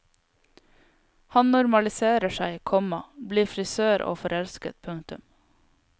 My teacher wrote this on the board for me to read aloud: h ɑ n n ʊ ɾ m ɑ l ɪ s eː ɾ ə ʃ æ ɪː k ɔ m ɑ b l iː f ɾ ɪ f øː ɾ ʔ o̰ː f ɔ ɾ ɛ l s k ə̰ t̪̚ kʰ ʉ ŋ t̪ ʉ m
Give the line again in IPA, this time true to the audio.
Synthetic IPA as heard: h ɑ n n ʊ ɾ m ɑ l ɪ s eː ɾ ə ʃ æ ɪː kʰ ɔ m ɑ b l iː f ɾ ɪ s øː ɾ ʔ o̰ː f ɔ ɾ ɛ l s k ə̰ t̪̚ pʰ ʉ ŋ t̪ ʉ m